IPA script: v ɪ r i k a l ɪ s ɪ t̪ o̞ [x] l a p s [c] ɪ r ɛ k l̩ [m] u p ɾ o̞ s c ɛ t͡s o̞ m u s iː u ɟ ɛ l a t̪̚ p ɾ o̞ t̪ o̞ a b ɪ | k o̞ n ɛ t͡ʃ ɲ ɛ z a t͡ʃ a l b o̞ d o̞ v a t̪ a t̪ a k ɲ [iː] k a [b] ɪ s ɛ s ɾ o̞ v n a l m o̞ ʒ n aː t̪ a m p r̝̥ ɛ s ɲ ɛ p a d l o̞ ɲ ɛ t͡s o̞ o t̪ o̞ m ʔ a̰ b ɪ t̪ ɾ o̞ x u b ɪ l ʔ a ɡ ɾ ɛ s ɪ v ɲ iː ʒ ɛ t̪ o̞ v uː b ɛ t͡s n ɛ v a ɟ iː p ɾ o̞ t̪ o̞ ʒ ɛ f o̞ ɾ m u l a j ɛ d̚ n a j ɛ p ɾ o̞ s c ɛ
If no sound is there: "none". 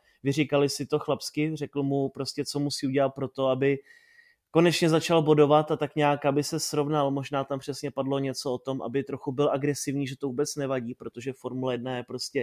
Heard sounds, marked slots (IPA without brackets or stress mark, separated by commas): x, k, m, aː, b